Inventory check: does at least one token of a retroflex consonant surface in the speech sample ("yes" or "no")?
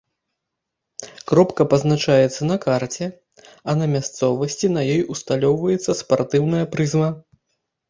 yes